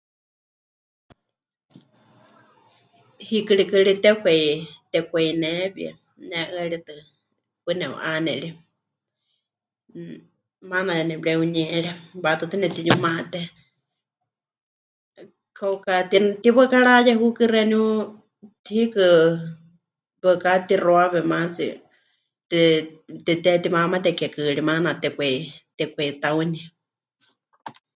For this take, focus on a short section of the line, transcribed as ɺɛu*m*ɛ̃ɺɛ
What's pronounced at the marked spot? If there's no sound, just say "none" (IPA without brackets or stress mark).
ɲ